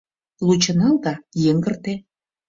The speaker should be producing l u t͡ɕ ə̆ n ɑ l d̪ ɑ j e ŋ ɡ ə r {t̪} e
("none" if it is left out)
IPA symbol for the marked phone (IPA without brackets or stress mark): t̪